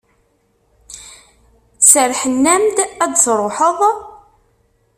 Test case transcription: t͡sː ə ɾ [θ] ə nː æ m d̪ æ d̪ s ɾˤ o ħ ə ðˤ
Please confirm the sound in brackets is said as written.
no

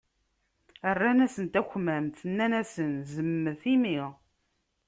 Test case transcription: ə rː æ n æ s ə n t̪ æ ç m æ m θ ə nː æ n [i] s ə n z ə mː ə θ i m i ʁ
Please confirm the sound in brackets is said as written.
no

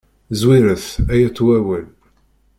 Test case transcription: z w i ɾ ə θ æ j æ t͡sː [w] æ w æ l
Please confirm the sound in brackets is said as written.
yes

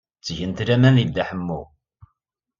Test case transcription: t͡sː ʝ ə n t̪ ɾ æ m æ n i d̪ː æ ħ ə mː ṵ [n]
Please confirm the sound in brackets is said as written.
no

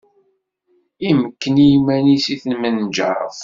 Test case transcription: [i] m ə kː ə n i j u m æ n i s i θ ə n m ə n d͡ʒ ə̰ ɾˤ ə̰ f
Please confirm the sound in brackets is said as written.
yes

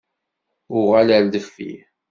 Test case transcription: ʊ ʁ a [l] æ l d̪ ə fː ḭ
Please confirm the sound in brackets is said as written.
yes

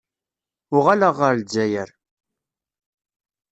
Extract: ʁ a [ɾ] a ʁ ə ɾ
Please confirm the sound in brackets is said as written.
no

